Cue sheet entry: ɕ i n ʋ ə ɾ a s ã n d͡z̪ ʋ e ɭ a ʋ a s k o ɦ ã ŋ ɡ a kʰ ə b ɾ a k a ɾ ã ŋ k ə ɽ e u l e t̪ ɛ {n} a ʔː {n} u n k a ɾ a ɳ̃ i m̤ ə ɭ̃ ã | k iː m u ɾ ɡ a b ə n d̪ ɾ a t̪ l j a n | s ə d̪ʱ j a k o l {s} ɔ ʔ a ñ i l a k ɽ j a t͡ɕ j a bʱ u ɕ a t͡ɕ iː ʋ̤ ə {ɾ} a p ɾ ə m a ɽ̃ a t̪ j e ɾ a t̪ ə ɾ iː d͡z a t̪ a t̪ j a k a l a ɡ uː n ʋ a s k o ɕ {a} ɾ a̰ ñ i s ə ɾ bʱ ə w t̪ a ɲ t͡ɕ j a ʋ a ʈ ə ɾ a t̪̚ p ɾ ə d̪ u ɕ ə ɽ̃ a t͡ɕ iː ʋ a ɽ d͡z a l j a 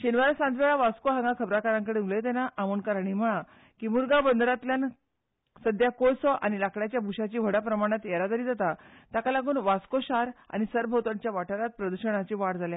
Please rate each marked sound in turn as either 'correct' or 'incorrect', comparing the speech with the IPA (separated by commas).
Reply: correct, incorrect, correct, incorrect, correct